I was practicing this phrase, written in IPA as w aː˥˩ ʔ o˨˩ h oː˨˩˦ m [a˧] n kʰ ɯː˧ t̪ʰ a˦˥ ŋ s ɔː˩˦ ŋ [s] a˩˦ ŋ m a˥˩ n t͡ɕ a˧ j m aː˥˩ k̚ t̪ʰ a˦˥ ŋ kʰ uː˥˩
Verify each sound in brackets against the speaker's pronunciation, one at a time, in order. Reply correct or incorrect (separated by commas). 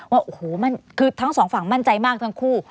incorrect, incorrect